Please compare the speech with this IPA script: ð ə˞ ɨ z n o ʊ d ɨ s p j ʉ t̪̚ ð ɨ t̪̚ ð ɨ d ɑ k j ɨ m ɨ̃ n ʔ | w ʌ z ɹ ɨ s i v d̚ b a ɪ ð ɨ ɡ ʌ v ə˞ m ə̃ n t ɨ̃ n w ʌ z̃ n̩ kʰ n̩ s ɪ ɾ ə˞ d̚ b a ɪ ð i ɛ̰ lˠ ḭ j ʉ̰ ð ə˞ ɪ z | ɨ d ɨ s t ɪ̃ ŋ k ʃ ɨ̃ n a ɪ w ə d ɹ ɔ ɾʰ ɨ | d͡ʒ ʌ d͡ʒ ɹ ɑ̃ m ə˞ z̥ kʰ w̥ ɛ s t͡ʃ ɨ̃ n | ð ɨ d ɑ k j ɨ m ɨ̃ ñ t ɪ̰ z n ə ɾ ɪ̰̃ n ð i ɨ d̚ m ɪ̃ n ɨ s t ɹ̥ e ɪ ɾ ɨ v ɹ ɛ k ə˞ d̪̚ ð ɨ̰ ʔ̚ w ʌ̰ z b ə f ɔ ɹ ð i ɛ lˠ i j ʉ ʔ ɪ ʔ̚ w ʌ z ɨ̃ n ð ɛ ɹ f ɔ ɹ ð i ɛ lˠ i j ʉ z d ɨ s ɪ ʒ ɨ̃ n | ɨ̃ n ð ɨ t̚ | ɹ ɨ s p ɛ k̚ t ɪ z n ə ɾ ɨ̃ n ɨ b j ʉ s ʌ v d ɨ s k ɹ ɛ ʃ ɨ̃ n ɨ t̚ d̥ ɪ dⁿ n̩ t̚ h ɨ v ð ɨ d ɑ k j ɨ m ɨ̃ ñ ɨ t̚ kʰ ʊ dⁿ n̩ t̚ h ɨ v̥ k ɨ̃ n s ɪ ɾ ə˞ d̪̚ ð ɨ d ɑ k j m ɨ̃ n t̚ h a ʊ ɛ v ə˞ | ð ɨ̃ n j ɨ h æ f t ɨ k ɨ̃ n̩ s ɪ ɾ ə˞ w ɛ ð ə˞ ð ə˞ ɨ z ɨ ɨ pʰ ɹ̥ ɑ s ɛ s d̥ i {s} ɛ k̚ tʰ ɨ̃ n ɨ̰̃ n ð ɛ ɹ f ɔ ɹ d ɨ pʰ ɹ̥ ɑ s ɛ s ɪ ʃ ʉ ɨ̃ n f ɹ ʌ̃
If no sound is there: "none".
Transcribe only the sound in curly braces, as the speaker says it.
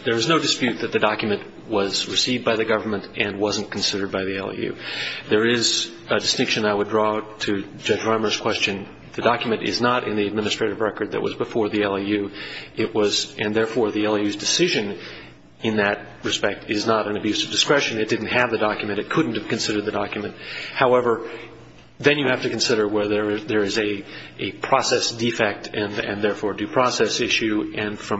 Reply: f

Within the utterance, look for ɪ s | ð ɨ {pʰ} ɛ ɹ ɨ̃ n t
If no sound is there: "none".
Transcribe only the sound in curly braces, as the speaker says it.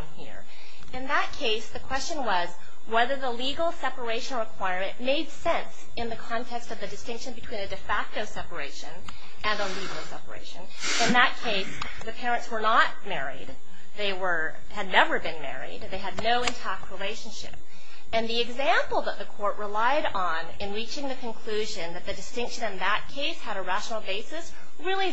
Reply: pʰ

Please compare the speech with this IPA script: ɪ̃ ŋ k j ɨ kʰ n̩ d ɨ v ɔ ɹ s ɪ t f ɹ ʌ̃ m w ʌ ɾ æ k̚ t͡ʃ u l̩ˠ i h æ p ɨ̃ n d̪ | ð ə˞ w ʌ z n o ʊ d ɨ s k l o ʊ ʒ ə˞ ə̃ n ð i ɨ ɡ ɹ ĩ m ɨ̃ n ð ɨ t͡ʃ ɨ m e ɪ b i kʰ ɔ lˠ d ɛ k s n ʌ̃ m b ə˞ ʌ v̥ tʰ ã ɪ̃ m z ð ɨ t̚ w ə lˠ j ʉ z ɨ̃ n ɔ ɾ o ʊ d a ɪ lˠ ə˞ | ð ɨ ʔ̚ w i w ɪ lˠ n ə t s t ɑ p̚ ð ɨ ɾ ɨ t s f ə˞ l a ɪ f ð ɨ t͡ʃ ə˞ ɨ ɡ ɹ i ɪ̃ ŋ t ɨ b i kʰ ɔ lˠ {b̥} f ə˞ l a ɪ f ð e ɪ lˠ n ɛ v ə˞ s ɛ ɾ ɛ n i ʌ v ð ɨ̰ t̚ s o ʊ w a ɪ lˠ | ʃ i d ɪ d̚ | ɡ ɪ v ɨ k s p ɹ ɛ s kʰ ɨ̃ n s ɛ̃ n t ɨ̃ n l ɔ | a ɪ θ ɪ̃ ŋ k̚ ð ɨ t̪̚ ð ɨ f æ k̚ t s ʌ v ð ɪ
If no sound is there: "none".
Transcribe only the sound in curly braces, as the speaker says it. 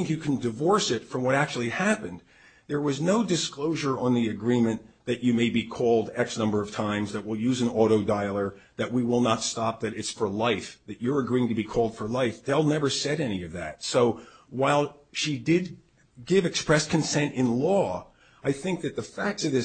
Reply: d̥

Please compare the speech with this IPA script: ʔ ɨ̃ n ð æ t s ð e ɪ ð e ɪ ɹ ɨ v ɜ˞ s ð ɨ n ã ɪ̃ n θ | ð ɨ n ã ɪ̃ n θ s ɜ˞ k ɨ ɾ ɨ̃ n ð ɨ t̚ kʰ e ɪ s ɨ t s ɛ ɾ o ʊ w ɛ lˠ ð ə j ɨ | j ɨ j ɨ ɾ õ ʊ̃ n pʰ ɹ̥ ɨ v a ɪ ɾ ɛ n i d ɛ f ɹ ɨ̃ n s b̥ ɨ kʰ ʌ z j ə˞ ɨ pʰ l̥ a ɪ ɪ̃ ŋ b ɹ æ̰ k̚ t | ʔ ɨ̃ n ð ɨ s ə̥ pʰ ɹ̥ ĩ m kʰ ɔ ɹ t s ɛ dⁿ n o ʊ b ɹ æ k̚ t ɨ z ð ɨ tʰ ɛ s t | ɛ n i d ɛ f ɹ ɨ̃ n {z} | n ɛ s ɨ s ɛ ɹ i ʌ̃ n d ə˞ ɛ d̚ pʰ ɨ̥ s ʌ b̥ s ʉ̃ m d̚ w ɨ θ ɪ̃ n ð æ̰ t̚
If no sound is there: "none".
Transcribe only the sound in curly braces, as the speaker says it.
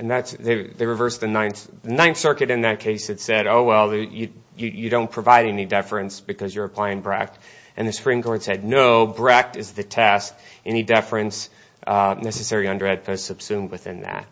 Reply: s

